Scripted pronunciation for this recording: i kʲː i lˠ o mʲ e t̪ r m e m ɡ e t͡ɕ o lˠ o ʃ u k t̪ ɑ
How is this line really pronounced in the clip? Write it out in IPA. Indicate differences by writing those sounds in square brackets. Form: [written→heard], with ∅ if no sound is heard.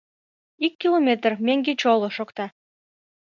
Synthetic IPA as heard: i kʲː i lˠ o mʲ e t̪ r m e [m→ŋ] ɡ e t͡ɕ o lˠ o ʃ [u→o] k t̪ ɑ